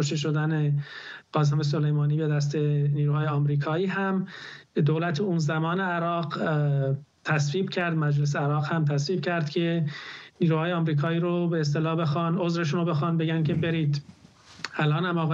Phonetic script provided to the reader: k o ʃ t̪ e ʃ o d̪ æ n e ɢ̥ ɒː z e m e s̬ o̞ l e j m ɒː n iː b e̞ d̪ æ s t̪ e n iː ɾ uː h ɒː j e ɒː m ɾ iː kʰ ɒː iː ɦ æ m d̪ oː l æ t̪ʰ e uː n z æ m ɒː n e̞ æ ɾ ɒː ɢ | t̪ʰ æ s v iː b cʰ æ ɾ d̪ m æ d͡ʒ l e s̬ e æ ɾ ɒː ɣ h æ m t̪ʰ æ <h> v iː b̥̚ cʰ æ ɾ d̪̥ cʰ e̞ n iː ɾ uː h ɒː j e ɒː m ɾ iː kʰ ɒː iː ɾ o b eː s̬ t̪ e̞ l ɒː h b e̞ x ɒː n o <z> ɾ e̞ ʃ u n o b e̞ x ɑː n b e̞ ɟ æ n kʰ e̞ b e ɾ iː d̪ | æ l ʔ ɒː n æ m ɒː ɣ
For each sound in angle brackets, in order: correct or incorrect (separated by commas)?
incorrect, correct